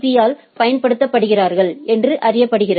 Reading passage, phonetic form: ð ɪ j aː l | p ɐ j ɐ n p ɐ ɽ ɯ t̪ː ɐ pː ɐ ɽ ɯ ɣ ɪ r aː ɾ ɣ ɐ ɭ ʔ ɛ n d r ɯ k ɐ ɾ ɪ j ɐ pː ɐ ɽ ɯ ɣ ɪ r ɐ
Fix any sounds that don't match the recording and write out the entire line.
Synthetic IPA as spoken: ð ɪ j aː l | p ɐ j ɐ n p ɐ ɽ ɯ t̪ː ɐ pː ɐ ɽ ɯ ɣ ɪ r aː ɾ ɣ ɐ ɭ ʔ ɛ n d r ɯ ʔ ɐ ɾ ɪ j ɐ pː ɐ ɽ ɯ ɣ ɪ r ɐ